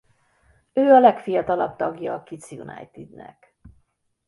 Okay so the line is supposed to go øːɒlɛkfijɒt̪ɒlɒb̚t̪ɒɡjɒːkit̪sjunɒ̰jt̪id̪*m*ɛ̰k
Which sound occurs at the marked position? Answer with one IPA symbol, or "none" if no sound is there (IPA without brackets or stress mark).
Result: n